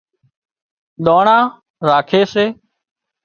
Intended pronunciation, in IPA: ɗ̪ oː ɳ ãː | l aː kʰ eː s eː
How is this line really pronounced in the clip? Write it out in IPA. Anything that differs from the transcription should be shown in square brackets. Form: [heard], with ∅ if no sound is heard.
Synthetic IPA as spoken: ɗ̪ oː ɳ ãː | [ɾ] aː kʰ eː s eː